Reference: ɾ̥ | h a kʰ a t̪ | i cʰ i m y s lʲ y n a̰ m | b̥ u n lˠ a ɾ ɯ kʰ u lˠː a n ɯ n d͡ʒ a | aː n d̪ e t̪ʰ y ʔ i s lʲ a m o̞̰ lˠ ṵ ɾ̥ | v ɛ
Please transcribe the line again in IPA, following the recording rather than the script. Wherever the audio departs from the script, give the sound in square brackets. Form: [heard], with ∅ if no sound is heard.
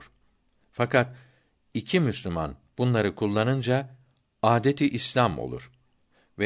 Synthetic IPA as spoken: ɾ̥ | [f] a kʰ a t̪ | i cʰ i m y s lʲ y [m] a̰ [n] | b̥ u n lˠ a ɾ ɯ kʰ u lˠː a n ɯ n d͡ʒ a | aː [∅] d̪ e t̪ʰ [i] ʔ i s lʲ a m o̞̰ lˠ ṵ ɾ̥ | v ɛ